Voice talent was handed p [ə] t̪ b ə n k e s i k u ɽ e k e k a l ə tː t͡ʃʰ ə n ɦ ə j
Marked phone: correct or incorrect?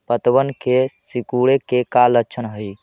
correct